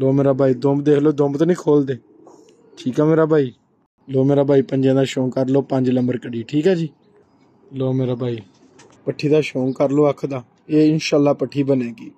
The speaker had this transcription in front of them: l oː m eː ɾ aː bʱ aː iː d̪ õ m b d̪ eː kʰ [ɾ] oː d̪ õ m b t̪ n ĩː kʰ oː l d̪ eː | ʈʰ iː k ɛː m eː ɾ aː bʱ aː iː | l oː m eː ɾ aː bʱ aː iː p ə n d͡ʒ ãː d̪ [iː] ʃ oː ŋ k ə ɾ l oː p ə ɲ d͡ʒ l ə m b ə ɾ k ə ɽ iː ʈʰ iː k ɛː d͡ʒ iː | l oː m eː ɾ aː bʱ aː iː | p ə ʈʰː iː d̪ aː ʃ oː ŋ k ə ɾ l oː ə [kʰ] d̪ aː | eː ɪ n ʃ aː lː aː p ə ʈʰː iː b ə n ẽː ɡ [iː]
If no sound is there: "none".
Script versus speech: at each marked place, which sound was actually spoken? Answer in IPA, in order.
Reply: l, aː, kʰ, iː

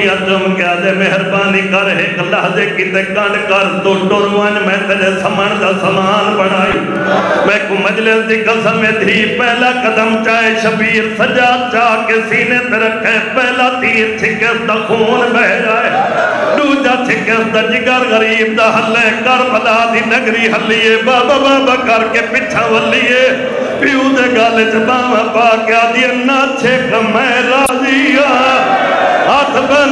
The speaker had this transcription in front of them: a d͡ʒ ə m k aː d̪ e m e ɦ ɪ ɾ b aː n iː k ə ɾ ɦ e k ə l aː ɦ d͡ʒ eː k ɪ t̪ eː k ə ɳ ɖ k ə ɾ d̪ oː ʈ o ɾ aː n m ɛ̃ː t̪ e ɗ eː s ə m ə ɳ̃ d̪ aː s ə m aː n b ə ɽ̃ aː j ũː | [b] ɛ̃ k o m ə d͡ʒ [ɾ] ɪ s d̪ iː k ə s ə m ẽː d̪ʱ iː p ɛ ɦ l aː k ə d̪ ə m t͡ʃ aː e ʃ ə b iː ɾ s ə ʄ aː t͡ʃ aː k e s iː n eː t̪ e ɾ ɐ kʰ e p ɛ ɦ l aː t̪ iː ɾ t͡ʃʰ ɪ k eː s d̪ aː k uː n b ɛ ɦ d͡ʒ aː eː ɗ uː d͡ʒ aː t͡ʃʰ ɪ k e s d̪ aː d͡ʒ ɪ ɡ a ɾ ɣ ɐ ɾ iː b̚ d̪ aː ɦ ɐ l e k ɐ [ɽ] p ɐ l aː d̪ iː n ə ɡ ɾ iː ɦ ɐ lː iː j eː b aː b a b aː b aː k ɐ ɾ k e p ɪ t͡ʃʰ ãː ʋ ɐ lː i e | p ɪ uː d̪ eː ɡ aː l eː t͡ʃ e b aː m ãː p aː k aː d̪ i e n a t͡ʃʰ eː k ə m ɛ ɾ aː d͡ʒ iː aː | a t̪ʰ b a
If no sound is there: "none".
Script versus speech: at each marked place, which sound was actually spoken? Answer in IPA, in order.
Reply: m, l, ɾ

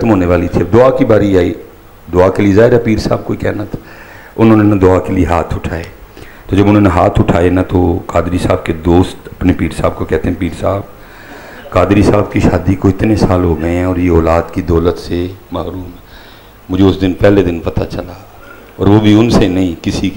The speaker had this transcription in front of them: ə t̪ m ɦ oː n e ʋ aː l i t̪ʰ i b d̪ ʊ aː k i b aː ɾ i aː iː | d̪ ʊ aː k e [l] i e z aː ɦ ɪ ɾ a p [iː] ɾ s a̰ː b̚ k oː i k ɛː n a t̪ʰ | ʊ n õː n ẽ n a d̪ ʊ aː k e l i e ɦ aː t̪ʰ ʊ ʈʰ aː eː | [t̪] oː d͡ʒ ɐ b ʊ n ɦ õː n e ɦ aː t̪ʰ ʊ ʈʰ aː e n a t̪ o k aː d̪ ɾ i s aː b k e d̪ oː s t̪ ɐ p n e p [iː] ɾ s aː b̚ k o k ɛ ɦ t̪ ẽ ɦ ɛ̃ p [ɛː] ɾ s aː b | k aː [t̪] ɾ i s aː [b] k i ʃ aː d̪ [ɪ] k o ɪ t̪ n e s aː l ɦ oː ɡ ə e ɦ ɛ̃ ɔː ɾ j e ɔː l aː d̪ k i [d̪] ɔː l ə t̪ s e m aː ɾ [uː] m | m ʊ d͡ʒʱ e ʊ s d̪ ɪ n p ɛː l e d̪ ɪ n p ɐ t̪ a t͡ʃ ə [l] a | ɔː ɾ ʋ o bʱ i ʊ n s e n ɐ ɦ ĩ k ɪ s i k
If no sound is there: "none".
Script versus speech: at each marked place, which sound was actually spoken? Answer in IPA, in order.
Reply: l, iː, t̪, iː, iː, d̪, b, i, d̪, uː, l

